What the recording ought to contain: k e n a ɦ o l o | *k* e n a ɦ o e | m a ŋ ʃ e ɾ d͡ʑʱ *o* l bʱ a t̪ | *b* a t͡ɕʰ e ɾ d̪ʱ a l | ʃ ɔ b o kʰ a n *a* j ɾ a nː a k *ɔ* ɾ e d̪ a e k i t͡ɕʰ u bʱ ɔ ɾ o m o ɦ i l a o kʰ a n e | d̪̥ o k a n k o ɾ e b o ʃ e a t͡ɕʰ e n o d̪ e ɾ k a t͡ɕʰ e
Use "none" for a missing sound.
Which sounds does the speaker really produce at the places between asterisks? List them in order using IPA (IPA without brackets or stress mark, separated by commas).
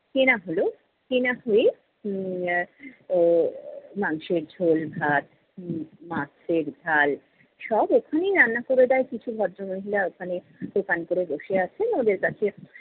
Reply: k, o, m, e, o